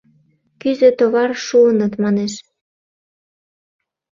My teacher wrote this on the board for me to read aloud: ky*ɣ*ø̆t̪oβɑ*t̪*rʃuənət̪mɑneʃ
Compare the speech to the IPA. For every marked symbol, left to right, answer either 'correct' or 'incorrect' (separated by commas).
incorrect, incorrect